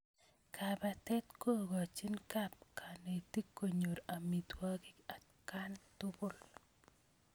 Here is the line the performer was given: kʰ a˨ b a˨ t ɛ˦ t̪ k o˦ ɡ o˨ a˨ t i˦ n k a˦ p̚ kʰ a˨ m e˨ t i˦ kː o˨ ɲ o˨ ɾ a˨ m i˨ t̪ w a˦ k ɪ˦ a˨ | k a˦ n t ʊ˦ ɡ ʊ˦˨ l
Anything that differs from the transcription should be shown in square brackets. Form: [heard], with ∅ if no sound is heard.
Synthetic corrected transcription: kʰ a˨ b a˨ t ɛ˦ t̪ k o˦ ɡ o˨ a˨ [t͡ʃ] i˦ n k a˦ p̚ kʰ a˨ [n] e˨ t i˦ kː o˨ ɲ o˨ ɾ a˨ m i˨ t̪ w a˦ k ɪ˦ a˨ | k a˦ n t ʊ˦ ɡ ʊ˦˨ l